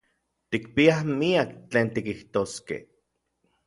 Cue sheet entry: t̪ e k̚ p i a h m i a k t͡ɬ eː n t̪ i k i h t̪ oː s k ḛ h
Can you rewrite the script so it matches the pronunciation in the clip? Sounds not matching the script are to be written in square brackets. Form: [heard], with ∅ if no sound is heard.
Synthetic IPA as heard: t̪ [i] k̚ p i a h m i a k t͡ɬ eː n t̪ i k i h t̪ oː s k ḛ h